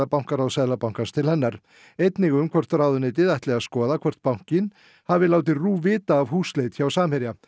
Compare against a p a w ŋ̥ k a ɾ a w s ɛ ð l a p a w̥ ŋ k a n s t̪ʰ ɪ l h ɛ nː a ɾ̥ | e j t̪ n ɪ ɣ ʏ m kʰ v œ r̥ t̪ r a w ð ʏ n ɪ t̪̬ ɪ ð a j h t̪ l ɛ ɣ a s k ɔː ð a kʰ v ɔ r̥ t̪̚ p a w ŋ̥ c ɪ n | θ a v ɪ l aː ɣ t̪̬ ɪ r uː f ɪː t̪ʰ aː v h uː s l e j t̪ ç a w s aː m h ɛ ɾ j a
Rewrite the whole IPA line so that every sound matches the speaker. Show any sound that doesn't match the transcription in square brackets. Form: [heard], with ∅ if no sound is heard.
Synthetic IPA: a p a w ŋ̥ k a ɾ a w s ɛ ð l a p a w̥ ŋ k a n s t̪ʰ ɪ l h ɛ nː a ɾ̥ | e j t̪ n ɪ ɣ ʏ m kʰ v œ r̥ t̪ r a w ð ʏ n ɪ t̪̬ ɪ ð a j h t̪ l ɛ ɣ a s k ɔː ð a kʰ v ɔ r̥ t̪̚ p a w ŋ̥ c ɪ n | [h] a v ɪ l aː [w] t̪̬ ɪ r uː [v] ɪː [t̪] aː v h uː s l e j t̪ ç a w s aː m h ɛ ɾ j a